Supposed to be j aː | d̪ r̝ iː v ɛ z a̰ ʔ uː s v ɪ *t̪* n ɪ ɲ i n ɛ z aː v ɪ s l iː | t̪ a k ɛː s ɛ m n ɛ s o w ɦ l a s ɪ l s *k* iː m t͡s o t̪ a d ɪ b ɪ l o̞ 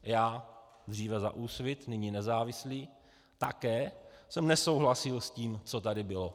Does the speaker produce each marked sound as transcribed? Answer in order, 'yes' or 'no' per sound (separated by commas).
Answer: yes, no